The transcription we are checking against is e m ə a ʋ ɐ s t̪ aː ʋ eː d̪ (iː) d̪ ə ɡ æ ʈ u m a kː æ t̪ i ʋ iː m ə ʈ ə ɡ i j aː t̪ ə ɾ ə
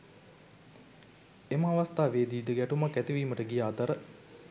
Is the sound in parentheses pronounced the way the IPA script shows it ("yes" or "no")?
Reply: yes